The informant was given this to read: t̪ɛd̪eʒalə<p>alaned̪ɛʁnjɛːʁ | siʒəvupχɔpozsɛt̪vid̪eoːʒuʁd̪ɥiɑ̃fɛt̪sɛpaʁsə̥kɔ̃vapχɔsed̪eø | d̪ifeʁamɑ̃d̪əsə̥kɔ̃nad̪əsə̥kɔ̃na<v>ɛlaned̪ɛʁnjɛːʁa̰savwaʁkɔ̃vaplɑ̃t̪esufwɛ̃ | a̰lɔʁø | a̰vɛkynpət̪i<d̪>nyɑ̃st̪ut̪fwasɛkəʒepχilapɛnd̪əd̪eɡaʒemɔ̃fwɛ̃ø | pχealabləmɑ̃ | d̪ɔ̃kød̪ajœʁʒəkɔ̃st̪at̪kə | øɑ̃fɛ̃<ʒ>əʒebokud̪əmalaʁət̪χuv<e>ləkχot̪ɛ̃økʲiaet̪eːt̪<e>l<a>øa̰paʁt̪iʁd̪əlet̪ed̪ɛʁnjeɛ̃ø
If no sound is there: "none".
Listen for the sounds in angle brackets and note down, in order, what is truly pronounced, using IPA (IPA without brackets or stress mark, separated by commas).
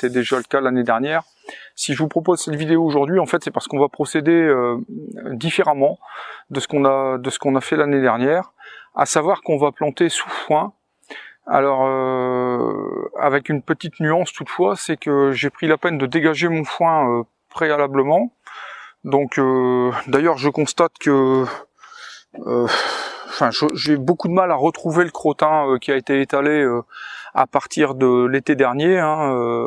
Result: k, f, t̪, ʒ, e, a, e